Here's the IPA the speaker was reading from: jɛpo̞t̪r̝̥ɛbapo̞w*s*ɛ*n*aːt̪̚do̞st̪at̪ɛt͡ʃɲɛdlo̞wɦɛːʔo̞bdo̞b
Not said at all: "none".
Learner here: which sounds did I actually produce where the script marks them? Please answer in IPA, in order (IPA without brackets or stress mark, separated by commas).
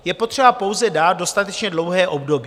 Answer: z, d